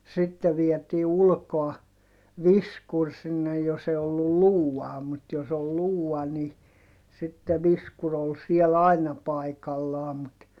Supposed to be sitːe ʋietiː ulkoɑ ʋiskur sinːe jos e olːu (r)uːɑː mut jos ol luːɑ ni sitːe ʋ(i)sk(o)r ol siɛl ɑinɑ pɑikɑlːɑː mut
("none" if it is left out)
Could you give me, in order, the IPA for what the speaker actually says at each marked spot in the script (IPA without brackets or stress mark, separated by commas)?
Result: l, i, u